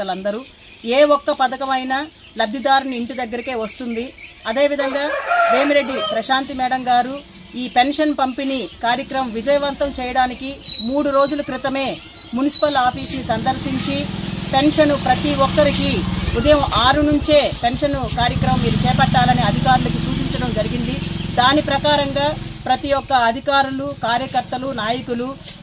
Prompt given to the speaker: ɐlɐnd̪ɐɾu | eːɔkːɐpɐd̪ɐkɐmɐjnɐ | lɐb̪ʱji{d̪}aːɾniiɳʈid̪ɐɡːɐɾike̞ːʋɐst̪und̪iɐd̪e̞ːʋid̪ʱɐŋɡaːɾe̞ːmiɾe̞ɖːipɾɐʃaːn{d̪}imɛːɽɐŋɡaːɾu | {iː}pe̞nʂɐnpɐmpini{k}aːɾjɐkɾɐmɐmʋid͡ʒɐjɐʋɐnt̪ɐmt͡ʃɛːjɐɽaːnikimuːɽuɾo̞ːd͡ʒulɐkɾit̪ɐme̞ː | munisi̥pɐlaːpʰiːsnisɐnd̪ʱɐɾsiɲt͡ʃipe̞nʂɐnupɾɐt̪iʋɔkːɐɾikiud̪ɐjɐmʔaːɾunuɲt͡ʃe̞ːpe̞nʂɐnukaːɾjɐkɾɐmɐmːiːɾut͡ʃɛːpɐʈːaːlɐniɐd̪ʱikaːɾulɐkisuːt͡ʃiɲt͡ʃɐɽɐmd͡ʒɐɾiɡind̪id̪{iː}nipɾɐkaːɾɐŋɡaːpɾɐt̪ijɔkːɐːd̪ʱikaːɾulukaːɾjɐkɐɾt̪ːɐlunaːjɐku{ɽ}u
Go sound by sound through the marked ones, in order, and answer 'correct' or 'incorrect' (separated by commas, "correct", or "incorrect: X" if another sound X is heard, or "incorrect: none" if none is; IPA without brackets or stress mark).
correct, incorrect: t̪, correct, correct, incorrect: aː, incorrect: l